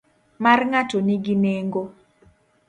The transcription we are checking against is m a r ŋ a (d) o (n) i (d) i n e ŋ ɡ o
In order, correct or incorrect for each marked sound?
incorrect: t, correct, incorrect: ɡ

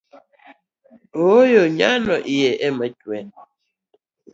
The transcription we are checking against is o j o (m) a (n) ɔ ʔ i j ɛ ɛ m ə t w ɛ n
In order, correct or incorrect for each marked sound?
incorrect: ɲ, correct

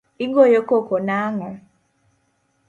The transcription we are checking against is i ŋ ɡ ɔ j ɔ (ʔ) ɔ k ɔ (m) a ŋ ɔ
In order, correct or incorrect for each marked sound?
incorrect: k, incorrect: n

